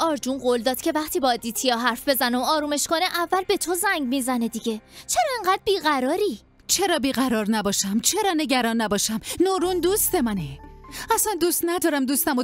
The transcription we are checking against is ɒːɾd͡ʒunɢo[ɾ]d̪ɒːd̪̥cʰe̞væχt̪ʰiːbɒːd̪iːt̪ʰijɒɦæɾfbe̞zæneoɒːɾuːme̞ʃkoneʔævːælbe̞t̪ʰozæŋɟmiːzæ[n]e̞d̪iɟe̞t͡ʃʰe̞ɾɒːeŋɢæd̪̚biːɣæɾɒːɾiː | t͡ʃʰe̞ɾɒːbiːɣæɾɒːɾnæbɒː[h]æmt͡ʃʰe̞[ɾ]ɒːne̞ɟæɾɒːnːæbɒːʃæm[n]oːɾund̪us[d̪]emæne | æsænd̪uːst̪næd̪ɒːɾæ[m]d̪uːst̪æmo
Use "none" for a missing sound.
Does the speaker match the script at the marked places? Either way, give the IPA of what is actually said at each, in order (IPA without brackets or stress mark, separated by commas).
l, n, ʃ, ɾ, n, t̪, m